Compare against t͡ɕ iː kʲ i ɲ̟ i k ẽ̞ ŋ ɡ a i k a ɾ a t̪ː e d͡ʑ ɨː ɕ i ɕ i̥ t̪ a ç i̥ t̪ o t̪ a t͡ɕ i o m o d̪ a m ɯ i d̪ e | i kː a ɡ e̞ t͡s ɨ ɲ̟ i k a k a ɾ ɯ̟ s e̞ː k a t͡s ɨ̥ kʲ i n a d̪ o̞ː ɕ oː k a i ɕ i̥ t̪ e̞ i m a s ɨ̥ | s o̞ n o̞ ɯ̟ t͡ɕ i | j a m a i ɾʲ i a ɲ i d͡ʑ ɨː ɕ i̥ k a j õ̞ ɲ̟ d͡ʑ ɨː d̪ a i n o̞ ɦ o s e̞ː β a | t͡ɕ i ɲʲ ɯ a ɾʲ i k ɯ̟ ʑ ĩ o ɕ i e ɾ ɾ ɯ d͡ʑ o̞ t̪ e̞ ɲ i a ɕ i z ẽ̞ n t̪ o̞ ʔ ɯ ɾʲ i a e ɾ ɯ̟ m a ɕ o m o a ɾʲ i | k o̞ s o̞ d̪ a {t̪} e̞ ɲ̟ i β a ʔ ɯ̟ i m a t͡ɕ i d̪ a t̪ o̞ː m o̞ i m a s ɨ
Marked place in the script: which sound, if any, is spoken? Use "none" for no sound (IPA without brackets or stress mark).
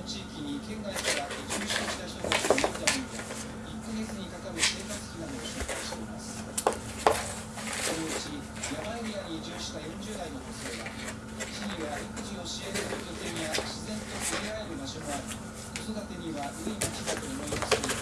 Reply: t̪